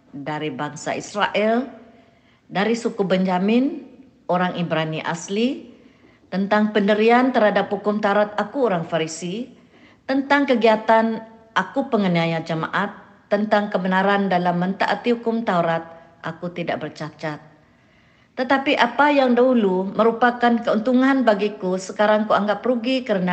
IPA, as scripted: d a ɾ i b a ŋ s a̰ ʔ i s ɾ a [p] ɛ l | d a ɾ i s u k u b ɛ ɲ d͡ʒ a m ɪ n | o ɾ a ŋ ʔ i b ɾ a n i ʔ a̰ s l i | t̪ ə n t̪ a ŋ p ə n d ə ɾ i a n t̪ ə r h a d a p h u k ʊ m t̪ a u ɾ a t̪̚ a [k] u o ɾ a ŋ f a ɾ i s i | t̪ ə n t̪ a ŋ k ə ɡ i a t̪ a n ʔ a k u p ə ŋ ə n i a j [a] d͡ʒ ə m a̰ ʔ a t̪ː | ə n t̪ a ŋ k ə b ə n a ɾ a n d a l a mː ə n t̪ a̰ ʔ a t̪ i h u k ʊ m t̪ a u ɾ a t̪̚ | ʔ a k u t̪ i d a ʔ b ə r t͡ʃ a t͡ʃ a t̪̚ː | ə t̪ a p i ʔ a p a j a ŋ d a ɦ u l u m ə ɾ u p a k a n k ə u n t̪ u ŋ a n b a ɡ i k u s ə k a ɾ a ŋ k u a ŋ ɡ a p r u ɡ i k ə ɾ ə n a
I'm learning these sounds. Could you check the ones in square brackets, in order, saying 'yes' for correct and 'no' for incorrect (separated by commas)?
no, yes, yes